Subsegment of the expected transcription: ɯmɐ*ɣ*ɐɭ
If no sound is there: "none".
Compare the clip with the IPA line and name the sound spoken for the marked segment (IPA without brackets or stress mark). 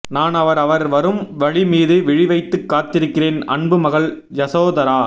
ɣ